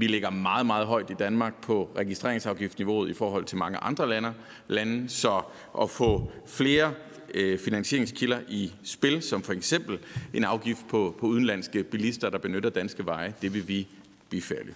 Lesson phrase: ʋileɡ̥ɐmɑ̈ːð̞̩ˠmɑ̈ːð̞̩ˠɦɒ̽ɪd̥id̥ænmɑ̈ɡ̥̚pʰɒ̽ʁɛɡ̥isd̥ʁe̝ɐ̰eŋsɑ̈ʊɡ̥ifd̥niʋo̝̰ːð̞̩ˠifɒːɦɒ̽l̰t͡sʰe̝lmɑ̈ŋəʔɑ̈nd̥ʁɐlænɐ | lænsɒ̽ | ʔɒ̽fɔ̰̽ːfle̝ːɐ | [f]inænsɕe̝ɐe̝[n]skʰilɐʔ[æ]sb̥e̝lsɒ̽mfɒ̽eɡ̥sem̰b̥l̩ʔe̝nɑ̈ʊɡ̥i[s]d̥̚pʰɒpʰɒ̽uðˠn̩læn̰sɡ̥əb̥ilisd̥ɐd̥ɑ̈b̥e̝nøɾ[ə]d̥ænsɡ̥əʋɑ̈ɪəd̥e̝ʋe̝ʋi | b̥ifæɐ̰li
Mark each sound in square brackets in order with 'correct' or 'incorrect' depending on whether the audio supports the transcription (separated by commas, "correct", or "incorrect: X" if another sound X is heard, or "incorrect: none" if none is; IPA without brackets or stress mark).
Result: correct, incorrect: ŋ, incorrect: i, incorrect: f, incorrect: ɐ